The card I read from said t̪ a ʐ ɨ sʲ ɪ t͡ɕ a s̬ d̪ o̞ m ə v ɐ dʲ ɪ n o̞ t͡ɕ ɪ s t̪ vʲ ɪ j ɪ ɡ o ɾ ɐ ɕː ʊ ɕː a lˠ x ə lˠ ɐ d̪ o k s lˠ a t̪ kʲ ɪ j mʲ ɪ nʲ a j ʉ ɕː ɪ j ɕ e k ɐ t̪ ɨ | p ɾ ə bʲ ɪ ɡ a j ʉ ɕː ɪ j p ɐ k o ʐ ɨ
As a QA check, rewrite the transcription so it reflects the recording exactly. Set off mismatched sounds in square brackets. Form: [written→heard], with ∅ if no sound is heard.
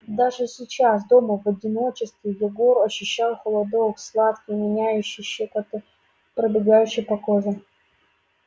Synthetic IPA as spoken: [t̪→d̪] a ʐ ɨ sʲ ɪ t͡ɕ a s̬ d̪ o̞ m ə v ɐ dʲ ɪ n o̞ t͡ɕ ɪ s t̪ vʲ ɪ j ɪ ɡ o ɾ ɐ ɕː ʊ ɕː a lˠ x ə lˠ ɐ d̪ o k s lˠ a t̪ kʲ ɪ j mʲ ɪ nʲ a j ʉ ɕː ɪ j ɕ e k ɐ t̪ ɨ | p ɾ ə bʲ ɪ ɡ a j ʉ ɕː ɪ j p ɐ k o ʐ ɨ